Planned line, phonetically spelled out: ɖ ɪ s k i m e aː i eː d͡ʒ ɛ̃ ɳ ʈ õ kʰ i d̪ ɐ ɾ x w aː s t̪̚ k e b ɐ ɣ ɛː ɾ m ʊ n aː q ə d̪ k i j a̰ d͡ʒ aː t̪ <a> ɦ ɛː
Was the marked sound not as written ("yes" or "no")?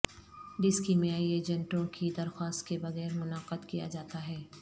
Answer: no